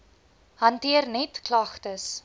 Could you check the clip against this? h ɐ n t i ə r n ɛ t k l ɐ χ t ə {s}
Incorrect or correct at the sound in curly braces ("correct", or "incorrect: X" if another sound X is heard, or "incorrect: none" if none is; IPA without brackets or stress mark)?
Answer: correct